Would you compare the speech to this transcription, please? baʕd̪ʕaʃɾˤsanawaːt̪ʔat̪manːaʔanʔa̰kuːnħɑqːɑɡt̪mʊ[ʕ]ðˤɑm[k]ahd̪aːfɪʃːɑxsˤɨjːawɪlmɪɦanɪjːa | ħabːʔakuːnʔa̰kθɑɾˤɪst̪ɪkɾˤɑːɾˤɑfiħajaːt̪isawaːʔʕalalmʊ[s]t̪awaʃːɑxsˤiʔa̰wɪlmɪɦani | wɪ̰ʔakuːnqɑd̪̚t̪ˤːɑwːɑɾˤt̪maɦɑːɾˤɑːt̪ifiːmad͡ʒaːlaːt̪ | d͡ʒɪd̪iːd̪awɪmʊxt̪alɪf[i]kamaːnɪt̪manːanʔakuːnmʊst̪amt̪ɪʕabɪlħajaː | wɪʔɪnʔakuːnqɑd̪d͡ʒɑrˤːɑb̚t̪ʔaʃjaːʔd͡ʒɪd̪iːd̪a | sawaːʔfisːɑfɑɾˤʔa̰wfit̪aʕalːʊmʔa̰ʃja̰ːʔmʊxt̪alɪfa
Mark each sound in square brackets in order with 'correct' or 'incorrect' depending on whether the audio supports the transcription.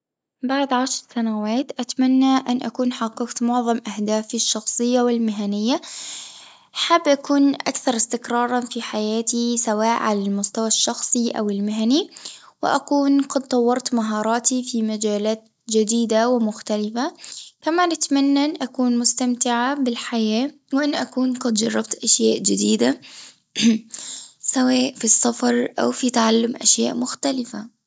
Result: correct, incorrect: ʔ, correct, incorrect: a

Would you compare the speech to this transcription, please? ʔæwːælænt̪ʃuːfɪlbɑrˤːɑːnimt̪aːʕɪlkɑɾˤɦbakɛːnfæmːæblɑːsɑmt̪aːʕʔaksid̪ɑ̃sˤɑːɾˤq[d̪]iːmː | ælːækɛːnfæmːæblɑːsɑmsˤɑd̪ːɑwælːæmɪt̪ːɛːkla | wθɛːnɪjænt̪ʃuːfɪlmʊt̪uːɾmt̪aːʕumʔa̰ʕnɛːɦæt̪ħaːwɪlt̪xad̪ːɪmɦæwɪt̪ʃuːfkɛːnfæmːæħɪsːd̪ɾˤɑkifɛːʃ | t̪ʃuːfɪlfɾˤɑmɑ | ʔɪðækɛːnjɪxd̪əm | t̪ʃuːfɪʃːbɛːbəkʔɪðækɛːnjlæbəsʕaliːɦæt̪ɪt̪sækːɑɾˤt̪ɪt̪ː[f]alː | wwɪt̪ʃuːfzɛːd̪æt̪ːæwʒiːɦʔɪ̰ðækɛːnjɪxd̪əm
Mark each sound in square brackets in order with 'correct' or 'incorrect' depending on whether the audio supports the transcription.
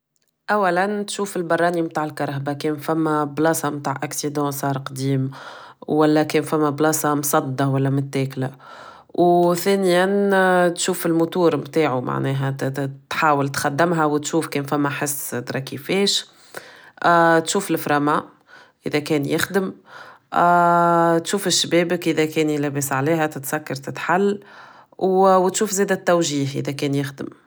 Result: correct, incorrect: ħ

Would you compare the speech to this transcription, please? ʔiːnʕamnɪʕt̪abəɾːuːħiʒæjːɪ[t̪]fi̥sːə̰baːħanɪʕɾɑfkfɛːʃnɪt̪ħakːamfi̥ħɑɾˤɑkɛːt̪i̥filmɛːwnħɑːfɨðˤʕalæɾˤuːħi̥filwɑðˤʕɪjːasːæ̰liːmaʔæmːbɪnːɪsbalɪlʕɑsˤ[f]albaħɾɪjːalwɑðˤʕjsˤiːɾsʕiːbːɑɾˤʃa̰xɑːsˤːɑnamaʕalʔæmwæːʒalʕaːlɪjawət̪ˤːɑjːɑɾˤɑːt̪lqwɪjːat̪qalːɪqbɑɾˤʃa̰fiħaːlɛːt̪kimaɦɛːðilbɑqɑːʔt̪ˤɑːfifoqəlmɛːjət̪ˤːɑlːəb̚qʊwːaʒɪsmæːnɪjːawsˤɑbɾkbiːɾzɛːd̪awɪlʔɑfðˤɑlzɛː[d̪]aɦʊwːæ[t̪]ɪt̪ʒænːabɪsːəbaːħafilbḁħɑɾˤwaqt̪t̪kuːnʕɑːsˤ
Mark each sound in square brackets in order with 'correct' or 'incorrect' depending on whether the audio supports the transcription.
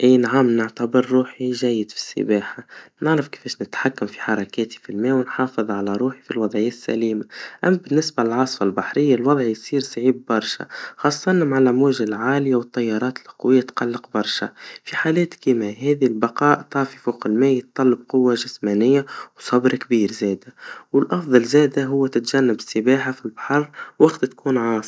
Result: incorrect: d̪, correct, correct, correct

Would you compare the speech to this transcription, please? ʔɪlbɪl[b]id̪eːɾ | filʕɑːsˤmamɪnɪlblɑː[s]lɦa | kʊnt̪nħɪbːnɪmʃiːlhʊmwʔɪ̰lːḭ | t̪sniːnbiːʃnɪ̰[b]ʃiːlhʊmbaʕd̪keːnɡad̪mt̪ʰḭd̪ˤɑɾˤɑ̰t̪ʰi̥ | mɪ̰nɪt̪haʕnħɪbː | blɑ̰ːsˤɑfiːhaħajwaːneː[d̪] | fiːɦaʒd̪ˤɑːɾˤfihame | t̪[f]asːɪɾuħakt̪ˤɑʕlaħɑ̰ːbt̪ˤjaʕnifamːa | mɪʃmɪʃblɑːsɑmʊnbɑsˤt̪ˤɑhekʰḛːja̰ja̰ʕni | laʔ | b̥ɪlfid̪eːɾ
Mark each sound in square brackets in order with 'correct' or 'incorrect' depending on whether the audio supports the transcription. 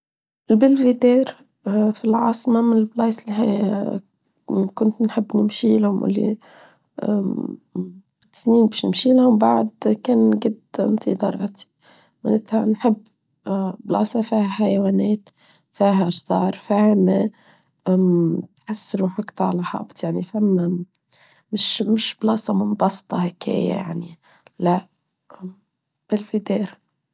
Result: incorrect: v, correct, incorrect: m, incorrect: t̪, incorrect: ħ

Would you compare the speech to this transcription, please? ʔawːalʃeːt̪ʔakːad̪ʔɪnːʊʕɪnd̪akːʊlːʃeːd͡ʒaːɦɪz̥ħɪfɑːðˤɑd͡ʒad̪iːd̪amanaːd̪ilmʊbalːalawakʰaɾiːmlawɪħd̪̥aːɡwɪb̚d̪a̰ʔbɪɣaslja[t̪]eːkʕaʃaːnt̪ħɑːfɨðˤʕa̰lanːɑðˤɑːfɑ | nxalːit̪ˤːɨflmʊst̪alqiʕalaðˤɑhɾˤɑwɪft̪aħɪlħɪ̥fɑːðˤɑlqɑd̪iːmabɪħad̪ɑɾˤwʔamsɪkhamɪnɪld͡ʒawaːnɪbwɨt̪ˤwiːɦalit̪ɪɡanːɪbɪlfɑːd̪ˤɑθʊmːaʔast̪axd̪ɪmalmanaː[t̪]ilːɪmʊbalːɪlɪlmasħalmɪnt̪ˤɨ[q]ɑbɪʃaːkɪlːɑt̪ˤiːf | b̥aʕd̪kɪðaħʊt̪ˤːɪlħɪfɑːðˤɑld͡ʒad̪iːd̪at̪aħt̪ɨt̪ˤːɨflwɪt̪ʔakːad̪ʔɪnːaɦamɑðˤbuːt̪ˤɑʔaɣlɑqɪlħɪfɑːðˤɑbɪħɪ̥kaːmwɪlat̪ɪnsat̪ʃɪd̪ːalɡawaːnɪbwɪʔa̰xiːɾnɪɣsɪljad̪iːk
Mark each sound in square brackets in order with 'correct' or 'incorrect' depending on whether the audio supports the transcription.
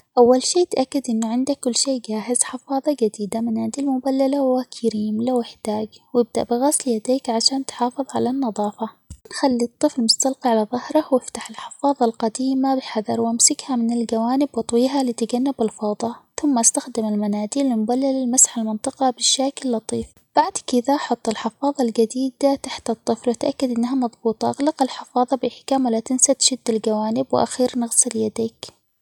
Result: incorrect: d̪, incorrect: d̪, correct

